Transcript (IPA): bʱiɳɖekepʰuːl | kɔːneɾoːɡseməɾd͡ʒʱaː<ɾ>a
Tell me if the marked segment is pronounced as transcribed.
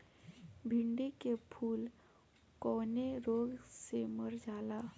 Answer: no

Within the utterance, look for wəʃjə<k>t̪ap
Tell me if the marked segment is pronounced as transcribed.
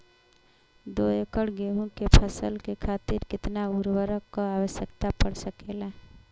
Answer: yes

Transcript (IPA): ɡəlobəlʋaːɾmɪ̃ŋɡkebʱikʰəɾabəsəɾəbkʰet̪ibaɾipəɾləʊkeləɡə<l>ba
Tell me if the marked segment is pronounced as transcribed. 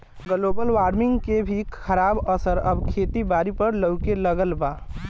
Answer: yes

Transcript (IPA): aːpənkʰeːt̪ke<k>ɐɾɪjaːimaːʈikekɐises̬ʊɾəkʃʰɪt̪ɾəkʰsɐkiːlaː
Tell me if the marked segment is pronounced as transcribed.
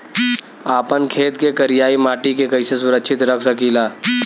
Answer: yes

